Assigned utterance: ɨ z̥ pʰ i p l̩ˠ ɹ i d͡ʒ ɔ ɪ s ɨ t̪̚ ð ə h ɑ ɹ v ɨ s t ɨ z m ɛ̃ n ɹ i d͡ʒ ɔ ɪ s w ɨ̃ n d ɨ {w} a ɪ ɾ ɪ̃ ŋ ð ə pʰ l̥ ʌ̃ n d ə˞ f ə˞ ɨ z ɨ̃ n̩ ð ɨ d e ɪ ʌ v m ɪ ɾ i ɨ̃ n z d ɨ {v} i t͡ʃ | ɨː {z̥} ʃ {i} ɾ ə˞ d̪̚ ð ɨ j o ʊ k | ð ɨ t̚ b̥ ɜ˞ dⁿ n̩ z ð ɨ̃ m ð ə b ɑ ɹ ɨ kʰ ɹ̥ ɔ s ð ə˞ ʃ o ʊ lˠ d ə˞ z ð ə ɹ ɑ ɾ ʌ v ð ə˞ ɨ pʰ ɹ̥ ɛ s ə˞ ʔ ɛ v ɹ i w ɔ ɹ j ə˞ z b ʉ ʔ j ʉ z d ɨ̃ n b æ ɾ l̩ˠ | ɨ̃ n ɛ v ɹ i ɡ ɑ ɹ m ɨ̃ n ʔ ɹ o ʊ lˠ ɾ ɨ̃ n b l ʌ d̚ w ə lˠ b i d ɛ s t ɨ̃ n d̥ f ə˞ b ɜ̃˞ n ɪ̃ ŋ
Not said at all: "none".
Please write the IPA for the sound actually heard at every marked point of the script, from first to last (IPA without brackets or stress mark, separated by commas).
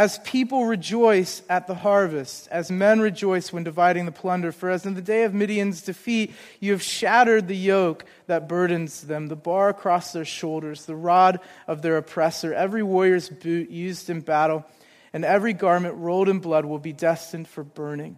v, f, v̥, æ